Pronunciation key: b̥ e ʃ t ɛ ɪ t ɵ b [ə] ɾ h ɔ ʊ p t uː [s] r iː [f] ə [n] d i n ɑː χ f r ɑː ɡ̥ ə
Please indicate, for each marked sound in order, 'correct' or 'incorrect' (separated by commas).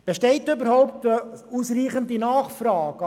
correct, correct, incorrect, correct